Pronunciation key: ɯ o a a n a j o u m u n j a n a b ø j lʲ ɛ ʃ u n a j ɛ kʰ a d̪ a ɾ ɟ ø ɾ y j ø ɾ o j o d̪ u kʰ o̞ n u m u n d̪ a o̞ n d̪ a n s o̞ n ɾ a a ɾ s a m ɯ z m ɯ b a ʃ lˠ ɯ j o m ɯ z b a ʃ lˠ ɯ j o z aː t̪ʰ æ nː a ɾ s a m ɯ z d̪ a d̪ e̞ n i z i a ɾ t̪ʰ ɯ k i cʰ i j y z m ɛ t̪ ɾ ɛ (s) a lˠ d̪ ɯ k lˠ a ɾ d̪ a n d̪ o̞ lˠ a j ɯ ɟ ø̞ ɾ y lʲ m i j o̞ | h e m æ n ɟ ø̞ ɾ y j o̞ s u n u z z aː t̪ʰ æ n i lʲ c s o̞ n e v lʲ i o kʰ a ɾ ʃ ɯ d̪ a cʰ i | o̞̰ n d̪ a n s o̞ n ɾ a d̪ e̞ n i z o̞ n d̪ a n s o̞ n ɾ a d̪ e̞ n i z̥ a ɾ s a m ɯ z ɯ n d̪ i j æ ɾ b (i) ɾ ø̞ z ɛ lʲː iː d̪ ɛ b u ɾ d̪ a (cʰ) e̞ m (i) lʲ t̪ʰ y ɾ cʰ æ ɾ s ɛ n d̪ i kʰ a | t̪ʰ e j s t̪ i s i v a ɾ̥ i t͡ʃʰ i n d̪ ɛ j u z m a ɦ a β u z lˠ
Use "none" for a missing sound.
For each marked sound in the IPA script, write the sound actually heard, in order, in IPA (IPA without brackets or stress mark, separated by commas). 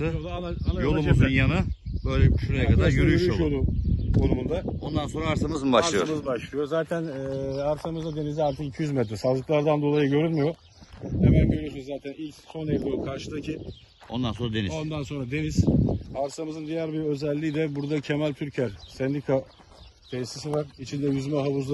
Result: s, i, cʰ, æ